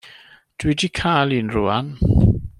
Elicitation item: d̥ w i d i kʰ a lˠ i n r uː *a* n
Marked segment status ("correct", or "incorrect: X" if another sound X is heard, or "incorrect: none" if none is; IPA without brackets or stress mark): correct